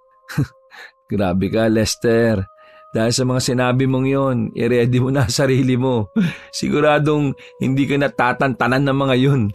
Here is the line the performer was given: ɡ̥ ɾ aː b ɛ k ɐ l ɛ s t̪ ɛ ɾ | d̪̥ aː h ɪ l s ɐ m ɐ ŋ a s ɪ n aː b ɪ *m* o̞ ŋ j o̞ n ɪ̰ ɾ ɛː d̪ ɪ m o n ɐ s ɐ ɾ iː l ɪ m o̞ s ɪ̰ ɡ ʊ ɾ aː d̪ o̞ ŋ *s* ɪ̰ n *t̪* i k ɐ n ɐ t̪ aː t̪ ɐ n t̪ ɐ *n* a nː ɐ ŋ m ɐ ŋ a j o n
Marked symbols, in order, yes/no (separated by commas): yes, no, no, yes